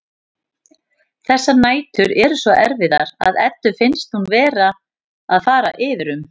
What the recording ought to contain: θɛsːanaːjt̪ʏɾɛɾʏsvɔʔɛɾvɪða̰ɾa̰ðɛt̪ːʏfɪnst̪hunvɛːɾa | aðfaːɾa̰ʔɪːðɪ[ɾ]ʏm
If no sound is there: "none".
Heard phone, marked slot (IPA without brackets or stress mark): ɾ